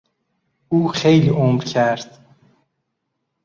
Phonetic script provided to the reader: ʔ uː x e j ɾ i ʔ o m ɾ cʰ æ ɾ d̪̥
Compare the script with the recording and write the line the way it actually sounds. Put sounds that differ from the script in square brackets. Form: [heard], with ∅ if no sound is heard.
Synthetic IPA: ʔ uː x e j [l] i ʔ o m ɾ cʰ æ ɾ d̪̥